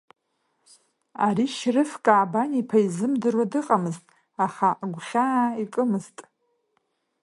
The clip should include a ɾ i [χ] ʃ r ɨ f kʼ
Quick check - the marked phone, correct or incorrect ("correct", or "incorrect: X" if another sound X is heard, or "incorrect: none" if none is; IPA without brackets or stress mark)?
incorrect: none